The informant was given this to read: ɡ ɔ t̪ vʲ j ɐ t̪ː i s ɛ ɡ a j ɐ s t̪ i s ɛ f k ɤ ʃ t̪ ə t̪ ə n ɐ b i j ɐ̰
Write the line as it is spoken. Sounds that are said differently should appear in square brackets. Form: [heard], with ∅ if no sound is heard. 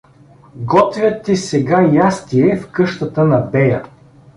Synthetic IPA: ɡ ɔ t̪ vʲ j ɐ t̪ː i s ɛ ɡ a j [a] s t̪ i [∅] ɛ f k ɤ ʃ t̪ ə t̪ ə n ɐ b [ɛ] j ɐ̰